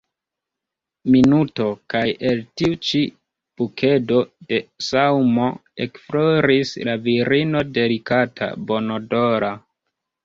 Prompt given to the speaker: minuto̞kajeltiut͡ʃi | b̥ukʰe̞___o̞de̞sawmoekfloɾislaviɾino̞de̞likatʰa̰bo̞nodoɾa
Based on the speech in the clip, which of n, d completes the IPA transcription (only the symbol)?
d